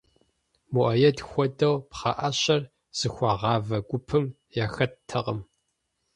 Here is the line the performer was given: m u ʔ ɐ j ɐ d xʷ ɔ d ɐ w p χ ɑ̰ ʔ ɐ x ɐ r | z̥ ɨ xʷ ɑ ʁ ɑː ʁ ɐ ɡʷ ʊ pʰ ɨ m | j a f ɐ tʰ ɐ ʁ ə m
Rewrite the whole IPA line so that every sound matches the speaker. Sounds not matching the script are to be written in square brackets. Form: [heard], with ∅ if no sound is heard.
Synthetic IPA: m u ʔ ɐ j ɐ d xʷ ɔ d ɐ w p χ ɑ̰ ʔ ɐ [ɕ] ɐ r | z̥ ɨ xʷ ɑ ʁ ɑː [v] ɐ ɡʷ ʊ pʰ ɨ m | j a [x] ɐ tʰ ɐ ʁ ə m